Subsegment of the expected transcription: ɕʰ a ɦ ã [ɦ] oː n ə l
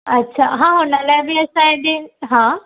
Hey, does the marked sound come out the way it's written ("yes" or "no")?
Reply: yes